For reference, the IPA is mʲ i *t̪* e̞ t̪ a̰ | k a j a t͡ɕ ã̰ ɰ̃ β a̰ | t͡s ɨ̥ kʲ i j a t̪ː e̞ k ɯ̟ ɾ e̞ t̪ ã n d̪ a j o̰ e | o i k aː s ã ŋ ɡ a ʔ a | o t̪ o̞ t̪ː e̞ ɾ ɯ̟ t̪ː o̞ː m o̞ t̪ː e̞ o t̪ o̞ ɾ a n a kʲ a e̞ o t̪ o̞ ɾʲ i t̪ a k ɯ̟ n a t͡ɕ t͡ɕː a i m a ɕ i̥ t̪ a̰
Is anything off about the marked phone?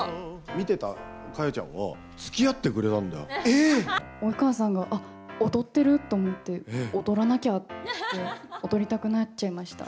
no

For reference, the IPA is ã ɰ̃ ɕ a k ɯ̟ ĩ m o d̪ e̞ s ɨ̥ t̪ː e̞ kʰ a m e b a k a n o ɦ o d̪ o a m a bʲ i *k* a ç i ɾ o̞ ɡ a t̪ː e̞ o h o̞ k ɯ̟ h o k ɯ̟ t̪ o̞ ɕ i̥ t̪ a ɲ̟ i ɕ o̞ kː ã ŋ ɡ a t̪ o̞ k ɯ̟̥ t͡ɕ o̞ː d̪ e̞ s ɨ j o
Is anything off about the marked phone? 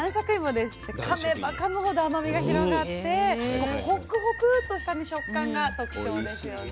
yes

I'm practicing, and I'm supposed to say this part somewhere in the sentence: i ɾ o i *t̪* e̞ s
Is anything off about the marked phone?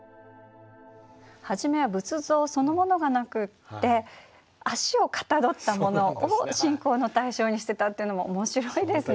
yes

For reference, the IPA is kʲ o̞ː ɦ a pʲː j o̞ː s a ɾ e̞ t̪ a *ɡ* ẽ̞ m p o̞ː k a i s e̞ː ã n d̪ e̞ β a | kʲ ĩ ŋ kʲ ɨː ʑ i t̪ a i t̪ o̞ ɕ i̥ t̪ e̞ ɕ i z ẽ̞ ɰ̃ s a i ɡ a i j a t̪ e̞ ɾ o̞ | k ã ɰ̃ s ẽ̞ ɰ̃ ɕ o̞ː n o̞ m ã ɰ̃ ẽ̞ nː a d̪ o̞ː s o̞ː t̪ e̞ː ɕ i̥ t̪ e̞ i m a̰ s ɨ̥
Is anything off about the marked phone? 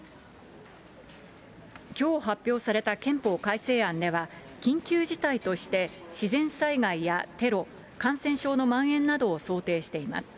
yes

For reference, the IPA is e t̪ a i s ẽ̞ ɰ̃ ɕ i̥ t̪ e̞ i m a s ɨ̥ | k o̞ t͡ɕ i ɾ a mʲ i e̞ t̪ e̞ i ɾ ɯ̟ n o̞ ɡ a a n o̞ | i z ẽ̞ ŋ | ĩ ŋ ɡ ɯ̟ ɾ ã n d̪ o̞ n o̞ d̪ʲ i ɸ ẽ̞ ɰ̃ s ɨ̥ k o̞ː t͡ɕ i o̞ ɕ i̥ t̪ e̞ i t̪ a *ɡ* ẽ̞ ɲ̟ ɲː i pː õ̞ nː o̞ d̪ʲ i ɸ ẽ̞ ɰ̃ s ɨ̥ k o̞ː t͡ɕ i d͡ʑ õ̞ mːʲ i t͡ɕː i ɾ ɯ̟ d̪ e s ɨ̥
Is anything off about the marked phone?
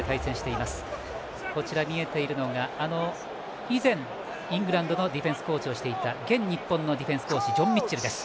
no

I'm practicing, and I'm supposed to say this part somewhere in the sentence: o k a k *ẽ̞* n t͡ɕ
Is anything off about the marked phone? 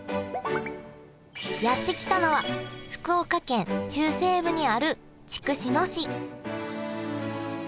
no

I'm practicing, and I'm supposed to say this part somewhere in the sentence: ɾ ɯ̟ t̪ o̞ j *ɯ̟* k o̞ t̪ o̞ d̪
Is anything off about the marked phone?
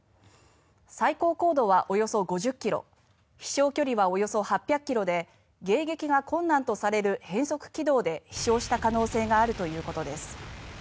yes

